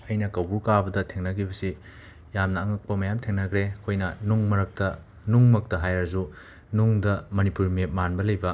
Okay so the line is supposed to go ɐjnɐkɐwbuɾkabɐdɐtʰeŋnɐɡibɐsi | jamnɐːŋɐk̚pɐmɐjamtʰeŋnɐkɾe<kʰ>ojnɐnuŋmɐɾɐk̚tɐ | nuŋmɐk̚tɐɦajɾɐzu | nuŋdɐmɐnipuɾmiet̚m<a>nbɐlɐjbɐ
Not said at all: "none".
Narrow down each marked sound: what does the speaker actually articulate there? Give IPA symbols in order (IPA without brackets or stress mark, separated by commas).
kʰ, a